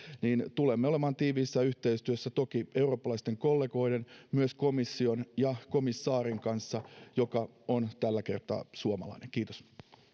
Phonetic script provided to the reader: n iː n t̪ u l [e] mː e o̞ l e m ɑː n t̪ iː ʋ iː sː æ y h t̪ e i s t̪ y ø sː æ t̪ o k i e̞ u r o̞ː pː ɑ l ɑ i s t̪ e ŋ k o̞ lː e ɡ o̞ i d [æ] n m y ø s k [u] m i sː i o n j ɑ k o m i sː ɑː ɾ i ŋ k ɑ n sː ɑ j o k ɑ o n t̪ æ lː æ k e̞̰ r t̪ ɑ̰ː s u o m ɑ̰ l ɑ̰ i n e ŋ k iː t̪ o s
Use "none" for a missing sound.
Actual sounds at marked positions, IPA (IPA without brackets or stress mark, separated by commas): e, e, o